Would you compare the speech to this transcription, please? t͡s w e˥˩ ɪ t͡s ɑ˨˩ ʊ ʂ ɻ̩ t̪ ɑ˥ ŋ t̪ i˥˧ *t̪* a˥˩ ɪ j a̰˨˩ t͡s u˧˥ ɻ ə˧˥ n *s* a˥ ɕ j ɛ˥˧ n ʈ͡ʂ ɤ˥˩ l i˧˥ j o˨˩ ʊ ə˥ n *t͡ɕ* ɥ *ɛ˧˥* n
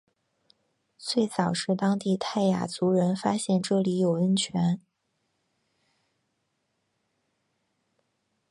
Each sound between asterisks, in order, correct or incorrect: incorrect: t̪ʰ, incorrect: f, incorrect: t͡ɕʰ, correct

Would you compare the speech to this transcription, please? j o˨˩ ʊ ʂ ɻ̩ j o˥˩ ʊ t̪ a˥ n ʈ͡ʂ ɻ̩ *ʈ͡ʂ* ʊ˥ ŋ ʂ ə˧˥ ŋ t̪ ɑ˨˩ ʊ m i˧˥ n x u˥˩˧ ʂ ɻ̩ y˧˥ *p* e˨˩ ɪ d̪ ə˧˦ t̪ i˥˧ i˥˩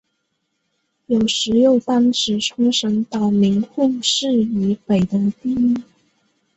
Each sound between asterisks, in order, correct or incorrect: incorrect: ʈ͡ʂʰ, correct

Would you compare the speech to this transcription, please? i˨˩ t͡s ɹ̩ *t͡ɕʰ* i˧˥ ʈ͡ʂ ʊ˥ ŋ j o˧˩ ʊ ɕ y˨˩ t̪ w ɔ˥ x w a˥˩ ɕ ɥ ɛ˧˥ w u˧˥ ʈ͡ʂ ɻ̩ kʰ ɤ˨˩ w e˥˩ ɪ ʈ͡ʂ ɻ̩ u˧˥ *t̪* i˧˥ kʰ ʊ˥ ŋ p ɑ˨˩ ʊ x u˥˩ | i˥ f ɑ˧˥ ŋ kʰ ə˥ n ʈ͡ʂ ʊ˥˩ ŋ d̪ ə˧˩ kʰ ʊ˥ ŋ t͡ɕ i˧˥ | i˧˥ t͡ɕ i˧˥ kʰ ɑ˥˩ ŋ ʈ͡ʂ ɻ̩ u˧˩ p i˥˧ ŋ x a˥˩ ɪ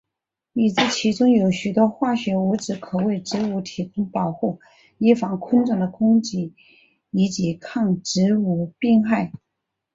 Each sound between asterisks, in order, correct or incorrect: correct, incorrect: t̪ʰ

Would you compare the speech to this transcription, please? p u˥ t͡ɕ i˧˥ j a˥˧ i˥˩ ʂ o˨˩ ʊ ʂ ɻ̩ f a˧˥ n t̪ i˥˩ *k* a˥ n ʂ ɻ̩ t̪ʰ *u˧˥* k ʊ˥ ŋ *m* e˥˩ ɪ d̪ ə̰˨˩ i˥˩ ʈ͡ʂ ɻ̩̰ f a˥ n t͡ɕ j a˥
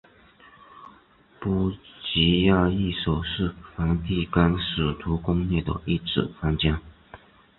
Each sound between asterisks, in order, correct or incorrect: correct, correct, incorrect: n

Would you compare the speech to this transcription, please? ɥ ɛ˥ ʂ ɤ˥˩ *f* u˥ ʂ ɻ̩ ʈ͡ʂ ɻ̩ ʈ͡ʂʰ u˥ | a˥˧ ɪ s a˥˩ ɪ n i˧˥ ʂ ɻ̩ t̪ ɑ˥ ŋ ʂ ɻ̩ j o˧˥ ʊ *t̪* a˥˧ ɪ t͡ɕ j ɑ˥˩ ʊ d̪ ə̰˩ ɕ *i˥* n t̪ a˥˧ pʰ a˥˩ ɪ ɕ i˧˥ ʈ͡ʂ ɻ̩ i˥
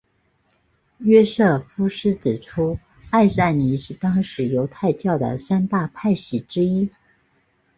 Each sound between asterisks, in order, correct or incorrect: correct, incorrect: t̪ʰ, incorrect: a˥

